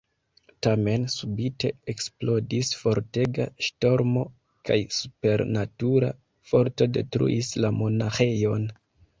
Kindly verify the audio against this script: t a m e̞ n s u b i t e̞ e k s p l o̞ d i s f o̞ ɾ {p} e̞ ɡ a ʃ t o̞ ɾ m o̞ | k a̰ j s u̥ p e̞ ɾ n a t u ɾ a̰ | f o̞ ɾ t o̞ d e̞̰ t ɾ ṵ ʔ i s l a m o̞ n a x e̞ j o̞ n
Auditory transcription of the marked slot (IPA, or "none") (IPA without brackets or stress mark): t